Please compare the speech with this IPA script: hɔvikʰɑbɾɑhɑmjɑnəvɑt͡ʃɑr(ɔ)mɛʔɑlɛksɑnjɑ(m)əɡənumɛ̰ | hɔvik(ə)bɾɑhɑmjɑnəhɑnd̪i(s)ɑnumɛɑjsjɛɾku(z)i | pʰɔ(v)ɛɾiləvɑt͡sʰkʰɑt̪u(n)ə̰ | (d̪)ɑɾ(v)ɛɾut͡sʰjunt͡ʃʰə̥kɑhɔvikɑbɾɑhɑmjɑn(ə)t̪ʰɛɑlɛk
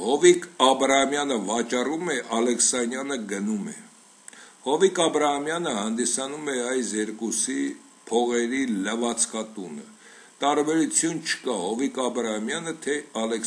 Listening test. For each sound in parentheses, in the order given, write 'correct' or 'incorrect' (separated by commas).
incorrect, incorrect, incorrect, correct, incorrect, incorrect, correct, incorrect, incorrect, correct